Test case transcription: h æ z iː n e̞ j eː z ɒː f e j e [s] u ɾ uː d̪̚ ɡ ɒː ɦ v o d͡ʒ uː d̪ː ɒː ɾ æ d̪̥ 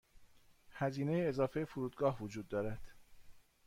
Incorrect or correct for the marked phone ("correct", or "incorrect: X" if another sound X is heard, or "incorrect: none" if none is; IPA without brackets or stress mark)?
incorrect: f